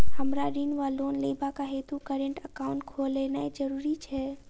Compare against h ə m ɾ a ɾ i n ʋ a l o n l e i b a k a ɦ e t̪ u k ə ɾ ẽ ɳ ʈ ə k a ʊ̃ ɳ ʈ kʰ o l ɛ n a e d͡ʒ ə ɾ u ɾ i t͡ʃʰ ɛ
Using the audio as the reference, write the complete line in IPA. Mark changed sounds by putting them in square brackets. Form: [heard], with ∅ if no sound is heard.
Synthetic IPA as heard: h ə m ɾ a ɾ i n ʋ a l o n l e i b a k a ɦ e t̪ u k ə ɾ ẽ ɳ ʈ ə k a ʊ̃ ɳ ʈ kʰ o l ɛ n a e d͡ʒ ə ɾ u ɾ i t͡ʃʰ ɛ